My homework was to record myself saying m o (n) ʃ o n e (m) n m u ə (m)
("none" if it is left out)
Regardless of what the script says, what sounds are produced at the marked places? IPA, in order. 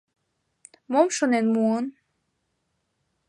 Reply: m, none, n

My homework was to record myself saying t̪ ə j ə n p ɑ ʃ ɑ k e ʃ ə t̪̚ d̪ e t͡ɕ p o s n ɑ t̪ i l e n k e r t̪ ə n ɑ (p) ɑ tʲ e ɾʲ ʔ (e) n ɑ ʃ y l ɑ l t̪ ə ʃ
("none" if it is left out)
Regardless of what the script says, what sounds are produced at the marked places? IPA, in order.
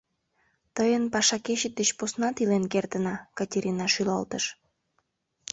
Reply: k, i

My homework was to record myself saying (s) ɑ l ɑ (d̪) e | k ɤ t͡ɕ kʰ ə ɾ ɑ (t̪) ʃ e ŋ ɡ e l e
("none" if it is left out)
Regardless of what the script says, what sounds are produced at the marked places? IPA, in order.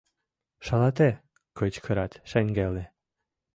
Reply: ʃ, t̪, t̪

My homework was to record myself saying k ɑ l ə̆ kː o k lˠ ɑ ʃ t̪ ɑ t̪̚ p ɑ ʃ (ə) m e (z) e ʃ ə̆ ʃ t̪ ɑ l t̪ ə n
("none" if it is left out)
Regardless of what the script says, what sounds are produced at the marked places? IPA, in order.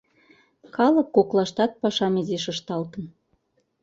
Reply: ɑ, z

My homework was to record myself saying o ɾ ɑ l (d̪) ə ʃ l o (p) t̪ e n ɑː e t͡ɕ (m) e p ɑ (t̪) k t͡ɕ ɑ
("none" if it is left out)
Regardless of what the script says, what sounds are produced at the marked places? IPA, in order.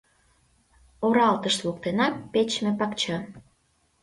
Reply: t̪, k, m, none

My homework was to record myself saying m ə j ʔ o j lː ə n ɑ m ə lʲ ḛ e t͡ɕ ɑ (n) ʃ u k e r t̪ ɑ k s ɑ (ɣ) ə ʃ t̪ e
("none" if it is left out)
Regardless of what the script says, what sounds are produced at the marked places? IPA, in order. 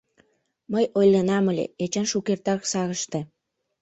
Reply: n, ɣ

